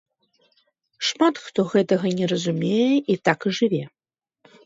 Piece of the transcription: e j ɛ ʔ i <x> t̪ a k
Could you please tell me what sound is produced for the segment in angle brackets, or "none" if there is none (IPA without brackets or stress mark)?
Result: none